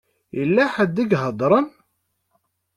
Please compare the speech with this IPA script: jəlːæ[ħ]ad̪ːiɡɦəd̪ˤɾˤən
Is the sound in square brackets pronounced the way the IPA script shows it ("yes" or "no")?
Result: yes